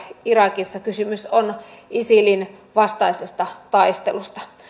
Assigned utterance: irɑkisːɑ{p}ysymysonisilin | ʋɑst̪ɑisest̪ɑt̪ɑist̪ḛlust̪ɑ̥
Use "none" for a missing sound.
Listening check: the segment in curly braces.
k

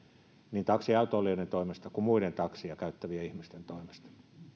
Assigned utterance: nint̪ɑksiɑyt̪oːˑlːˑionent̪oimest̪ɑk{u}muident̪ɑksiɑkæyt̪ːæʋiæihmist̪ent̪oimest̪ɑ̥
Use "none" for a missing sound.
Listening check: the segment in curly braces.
u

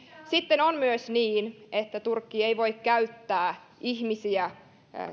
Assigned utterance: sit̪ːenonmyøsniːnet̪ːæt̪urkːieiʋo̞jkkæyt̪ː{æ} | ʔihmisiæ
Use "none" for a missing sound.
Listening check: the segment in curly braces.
æː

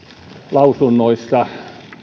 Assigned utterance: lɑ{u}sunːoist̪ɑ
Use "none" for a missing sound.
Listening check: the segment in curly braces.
u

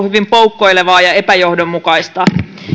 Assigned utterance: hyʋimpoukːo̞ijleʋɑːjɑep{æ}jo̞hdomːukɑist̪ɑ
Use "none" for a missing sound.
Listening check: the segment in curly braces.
æ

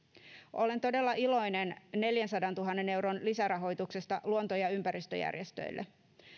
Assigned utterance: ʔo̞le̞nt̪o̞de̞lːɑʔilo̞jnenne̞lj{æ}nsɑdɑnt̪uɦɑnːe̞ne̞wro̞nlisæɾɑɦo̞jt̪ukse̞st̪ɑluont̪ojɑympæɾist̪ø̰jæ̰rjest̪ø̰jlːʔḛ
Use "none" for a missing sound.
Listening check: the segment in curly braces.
æ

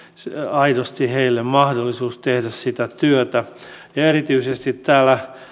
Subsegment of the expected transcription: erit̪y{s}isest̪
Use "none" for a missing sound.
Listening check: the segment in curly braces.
none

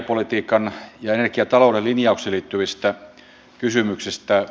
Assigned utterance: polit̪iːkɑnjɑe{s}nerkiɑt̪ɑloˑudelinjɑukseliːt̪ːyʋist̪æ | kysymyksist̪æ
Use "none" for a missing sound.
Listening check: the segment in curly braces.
none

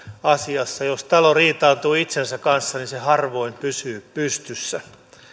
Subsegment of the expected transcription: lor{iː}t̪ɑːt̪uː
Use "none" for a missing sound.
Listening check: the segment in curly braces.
iː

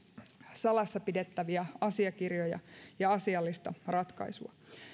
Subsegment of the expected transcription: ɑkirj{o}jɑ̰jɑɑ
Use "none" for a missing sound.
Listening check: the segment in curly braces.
o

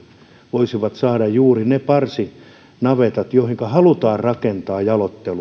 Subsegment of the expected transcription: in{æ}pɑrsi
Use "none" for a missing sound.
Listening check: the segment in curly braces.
e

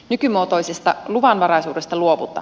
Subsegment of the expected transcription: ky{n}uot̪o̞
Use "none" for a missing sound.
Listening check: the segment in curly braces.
m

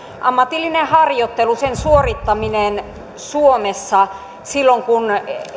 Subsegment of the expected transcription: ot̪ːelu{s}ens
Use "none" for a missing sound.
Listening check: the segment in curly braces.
s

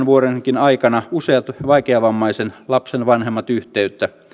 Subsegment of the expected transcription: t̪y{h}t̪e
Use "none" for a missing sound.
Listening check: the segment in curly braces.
h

